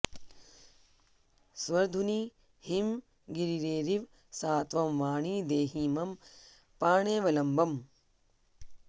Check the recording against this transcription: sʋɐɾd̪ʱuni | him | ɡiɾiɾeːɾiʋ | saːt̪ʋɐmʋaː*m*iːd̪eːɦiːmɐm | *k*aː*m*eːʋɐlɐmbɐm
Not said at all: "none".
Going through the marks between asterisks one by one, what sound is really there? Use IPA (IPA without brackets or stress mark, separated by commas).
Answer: ɳ, p, ɳ